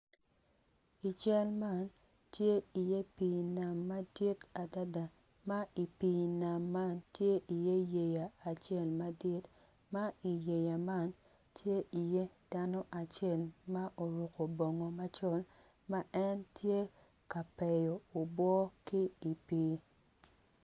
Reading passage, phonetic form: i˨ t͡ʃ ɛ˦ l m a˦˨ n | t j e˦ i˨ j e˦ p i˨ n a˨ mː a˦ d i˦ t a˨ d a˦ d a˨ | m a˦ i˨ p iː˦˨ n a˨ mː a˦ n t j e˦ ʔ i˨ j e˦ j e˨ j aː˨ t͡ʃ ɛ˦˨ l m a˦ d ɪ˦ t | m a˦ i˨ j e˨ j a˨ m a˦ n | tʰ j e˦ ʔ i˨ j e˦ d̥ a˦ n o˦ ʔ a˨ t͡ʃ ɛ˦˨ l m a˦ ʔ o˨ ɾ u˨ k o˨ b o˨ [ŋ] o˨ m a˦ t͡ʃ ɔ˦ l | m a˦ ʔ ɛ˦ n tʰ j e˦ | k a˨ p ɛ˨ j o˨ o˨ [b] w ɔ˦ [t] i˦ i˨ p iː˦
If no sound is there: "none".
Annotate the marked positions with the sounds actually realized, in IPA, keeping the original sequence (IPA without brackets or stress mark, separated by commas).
ŋ, b, k